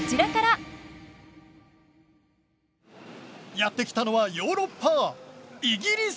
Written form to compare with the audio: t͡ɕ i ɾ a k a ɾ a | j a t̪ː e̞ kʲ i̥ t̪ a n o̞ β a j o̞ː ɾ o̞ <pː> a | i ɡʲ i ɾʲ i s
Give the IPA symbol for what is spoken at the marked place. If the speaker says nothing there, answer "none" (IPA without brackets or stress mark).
pː